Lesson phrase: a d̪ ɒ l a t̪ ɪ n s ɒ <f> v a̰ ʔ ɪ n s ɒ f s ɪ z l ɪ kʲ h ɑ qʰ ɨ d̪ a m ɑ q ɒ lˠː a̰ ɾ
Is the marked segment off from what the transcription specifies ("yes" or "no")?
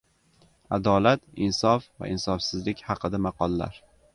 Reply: no